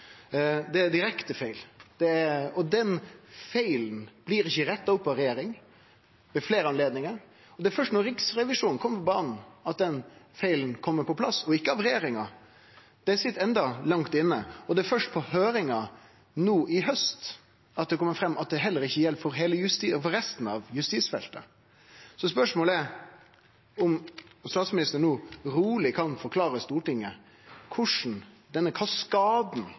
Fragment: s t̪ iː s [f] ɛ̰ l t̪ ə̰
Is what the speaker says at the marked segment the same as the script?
yes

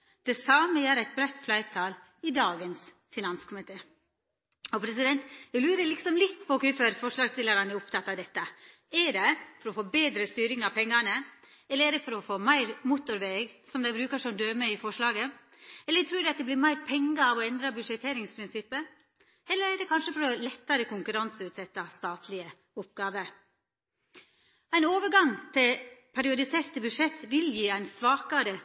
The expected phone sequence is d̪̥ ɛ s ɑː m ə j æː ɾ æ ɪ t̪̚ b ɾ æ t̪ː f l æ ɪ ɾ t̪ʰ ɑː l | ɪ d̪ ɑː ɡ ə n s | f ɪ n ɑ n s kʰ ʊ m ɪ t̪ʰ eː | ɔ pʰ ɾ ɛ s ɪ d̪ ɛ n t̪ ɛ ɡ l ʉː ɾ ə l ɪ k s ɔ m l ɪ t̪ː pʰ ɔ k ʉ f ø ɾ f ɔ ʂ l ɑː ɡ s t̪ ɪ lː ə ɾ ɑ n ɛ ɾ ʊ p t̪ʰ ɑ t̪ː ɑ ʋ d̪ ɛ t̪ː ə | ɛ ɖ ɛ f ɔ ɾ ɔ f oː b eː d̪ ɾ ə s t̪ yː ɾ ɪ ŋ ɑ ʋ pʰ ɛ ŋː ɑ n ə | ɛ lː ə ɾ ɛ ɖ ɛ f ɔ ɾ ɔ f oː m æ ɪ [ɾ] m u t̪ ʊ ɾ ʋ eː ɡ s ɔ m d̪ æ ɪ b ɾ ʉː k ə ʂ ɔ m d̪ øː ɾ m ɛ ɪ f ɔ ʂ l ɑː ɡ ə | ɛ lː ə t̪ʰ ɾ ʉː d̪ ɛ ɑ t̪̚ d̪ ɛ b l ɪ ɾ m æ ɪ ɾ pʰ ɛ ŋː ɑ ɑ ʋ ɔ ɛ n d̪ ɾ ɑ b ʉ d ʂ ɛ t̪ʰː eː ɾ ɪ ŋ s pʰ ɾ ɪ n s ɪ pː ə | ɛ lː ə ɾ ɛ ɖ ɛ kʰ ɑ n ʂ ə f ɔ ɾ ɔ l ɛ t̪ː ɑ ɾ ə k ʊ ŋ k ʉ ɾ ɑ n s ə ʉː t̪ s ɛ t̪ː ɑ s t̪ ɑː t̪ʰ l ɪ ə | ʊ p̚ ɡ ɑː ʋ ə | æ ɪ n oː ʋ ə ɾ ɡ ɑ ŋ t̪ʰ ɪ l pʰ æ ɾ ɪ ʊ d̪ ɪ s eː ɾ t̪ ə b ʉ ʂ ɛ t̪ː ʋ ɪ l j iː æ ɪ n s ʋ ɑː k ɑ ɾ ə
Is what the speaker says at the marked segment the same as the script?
yes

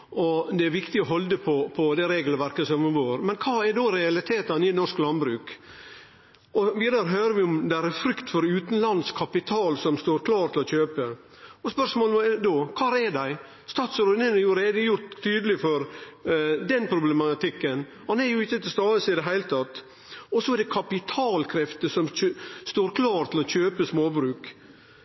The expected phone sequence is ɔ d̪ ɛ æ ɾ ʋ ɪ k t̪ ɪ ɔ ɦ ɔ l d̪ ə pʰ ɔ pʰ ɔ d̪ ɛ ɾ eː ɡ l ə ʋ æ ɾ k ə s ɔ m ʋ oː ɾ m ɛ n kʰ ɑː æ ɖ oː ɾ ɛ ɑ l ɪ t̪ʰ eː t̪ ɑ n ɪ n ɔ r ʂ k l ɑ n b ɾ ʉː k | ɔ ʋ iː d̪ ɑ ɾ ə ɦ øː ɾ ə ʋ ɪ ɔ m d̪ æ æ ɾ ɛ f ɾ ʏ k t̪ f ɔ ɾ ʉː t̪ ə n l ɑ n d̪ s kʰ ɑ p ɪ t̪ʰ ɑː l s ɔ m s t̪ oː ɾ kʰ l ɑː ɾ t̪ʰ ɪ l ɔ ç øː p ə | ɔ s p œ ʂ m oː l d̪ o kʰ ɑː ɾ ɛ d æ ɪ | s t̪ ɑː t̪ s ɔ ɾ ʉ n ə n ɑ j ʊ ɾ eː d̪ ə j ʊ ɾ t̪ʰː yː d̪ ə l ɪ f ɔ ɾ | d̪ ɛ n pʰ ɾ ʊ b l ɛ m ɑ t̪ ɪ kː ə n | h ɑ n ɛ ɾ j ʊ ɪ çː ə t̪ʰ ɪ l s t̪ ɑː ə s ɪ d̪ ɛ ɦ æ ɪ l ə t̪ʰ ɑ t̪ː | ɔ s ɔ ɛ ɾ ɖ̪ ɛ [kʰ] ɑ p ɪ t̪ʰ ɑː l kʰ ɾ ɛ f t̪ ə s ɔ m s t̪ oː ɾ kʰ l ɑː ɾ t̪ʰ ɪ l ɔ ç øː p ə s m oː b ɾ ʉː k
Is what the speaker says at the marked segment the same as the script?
yes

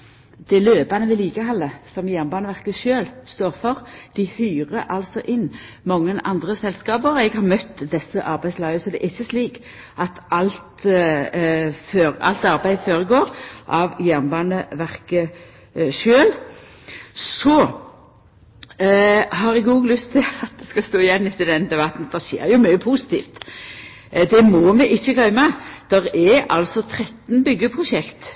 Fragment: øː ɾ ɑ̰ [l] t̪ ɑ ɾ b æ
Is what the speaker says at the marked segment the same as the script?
yes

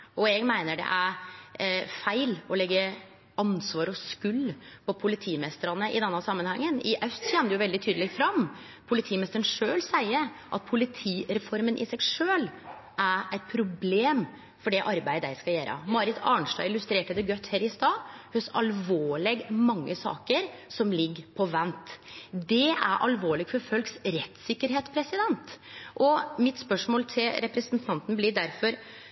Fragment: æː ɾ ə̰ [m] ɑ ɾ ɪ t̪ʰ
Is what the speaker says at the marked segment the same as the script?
yes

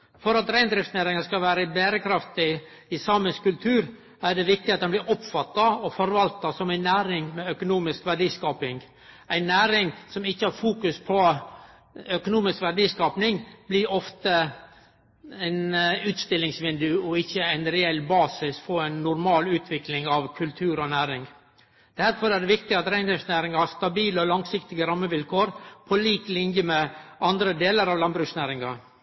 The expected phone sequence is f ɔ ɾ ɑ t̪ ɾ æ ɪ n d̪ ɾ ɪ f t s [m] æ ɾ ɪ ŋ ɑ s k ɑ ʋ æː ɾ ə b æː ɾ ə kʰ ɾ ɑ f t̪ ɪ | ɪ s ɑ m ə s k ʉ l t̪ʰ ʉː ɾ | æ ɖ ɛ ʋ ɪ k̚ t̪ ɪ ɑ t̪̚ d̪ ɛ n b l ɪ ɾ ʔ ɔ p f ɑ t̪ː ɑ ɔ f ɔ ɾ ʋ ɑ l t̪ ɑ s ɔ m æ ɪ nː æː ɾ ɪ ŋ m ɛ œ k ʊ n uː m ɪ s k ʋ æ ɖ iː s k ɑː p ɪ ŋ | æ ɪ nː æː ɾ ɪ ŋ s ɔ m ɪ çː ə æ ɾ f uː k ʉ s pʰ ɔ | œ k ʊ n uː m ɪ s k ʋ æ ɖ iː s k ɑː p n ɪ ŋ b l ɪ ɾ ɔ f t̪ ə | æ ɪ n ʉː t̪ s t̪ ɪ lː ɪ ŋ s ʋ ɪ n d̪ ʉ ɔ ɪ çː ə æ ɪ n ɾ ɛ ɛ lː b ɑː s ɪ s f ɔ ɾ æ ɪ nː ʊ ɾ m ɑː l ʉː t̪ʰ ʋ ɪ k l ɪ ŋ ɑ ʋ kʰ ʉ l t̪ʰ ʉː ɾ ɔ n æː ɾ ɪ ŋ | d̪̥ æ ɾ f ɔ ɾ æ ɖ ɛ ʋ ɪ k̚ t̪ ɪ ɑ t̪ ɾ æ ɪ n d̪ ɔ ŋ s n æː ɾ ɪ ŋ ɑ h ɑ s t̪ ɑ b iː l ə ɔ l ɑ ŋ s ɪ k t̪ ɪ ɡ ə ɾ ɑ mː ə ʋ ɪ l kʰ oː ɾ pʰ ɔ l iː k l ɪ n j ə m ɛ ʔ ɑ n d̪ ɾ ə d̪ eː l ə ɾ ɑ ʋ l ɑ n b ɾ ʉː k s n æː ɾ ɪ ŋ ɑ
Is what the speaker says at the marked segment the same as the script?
no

